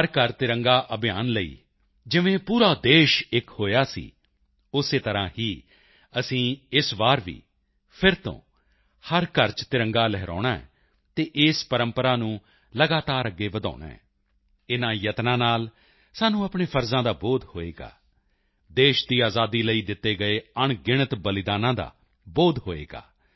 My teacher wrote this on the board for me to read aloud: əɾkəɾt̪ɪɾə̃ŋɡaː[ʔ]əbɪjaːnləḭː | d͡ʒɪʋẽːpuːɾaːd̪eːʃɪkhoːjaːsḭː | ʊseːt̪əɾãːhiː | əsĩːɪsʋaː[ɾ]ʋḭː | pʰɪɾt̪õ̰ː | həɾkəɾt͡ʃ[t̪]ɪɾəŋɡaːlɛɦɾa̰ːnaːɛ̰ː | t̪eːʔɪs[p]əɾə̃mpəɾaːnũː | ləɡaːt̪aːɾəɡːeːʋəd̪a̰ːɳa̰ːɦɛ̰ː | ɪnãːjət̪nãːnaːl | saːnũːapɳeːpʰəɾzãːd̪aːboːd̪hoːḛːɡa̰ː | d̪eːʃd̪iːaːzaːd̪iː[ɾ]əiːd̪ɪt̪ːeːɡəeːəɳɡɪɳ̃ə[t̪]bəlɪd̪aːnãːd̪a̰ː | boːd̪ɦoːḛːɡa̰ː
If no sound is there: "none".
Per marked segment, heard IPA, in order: ʔ, ɾ, t̪, p, l, t̪

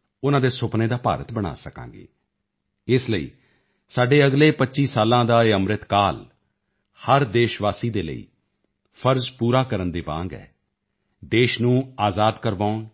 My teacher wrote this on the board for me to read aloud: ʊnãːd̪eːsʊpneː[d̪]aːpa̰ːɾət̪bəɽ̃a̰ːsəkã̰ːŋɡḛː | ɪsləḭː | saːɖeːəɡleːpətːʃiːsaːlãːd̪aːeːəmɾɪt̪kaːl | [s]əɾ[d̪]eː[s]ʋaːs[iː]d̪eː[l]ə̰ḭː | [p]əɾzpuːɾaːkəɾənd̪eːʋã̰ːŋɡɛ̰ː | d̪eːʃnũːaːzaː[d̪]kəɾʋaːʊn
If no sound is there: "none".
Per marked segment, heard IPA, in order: d̪, h, d̪, ʃ, iː, l, pʰ, d̪

